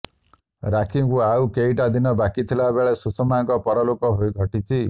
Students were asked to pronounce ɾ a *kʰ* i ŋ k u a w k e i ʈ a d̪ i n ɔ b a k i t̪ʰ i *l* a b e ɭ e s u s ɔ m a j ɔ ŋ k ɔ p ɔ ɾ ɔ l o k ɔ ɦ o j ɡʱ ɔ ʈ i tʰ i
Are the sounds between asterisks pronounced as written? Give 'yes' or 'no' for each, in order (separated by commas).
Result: yes, yes